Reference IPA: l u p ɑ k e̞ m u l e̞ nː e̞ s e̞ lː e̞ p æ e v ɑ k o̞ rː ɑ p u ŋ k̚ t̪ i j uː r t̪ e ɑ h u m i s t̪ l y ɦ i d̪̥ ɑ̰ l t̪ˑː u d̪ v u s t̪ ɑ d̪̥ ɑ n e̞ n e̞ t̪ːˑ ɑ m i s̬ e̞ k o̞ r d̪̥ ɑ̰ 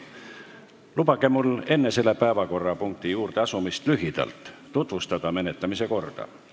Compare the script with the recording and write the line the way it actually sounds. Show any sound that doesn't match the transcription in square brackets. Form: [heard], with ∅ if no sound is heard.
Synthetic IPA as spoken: l u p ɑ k e̞ m u l e̞ nː e̞ s e̞ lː e̞ p æ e v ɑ k o̞ rː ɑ p u ŋ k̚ t̪ i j uː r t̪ e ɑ [s] u m i s t̪ l y ɦ i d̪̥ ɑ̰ l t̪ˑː u [t̪] v u s t̪ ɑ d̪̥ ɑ [m] e̞ n e̞ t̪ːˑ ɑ m i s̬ e̞ k o̞ r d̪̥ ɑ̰